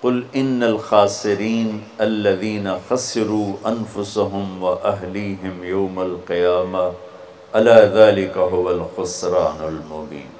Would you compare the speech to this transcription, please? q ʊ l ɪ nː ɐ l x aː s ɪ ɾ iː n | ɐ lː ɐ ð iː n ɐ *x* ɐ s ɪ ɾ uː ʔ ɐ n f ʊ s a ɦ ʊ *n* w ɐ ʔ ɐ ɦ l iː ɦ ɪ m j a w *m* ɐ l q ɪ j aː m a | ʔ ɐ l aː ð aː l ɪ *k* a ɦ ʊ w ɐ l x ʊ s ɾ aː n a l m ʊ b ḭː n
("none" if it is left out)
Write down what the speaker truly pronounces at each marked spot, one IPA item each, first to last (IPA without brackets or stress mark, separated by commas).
x, m, m, k